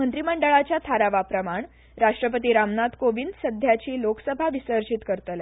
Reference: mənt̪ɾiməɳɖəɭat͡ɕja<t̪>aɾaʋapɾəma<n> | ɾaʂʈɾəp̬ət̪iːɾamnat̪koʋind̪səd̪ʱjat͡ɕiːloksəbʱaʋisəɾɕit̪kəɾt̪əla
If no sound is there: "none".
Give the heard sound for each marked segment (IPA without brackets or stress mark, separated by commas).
t̪ʰ, ɳ